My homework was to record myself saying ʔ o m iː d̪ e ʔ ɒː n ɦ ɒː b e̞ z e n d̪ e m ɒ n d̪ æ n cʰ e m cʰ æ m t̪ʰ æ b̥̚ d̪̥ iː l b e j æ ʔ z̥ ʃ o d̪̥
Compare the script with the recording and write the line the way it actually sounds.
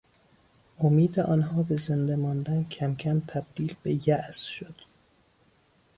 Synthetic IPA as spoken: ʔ o m iː d̪ e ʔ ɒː n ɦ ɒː b e̞ z e n d̪ e m ɒ n d̪ æ n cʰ æ m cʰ æ m t̪ʰ æ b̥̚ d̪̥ iː l b e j æ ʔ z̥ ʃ o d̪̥